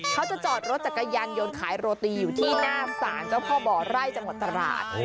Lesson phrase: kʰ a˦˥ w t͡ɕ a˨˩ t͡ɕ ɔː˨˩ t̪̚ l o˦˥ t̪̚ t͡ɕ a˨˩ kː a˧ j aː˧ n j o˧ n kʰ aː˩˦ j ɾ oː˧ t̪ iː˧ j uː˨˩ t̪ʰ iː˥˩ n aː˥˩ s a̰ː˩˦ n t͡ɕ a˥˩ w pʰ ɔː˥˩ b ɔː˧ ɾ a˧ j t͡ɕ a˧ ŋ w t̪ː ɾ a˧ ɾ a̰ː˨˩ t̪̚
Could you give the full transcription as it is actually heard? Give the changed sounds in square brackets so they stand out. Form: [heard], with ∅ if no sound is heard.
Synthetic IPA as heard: kʰ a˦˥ w t͡ɕ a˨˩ t͡ɕ ɔː˨˩ t̪̚ [ɾ] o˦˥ t̪̚ t͡ɕ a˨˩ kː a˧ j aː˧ n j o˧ n kʰ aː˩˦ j ɾ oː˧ t̪ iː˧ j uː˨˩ t̪ʰ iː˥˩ n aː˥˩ s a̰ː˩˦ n t͡ɕ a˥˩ w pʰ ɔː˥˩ b [ɔː˨˩] ɾ [a˥˩] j t͡ɕ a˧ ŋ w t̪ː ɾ a˧ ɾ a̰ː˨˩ t̪̚